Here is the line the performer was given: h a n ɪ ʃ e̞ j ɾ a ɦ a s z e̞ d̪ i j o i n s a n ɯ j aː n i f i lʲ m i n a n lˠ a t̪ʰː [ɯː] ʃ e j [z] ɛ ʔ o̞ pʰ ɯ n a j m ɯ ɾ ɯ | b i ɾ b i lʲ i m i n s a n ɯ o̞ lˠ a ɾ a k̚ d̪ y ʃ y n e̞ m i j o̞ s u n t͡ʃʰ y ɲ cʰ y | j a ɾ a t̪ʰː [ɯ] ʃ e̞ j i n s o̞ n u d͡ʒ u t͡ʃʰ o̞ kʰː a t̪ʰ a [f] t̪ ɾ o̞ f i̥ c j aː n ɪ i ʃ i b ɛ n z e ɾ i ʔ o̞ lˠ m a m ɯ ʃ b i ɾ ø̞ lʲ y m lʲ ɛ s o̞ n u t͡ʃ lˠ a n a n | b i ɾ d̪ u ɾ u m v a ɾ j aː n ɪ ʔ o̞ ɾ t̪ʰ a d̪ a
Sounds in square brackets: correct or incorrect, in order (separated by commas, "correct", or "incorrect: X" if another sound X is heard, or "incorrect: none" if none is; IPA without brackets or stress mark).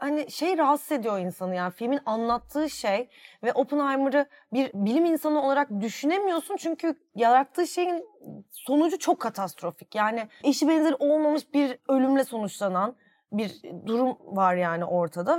correct, incorrect: v, incorrect: ɯː, incorrect: s